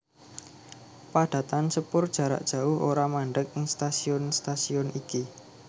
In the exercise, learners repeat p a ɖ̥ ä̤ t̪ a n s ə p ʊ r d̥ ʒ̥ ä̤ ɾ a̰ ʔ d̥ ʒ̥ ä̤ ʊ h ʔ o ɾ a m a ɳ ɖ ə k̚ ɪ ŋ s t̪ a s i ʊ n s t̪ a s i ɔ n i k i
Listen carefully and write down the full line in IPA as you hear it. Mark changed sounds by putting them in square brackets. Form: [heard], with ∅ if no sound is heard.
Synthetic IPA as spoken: p a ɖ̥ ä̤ t̪ a n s ə p ʊ r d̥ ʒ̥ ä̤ ɾ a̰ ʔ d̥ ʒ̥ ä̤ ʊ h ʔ o ɾ a m a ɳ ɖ ə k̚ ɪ ŋ s t̪ a s i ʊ n s t̪ a s i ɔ n i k i